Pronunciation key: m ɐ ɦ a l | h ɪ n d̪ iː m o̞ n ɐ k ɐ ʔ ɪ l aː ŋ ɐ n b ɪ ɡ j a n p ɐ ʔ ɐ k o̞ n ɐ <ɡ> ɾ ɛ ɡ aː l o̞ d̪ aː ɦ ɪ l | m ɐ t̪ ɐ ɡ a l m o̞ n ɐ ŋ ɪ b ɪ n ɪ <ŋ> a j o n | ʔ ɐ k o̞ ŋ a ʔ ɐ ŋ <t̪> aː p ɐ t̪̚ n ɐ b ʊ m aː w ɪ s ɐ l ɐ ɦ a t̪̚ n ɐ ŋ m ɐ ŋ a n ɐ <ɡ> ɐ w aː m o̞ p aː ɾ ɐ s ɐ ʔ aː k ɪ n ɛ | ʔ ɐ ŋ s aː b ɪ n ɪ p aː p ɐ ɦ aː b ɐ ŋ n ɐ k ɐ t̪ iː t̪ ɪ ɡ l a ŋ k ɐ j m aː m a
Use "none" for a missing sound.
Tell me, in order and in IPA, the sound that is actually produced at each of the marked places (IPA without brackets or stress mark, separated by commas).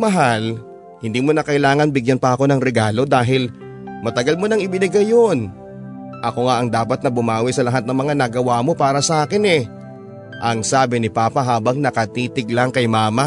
ŋ, ɡ, d̪, ɡ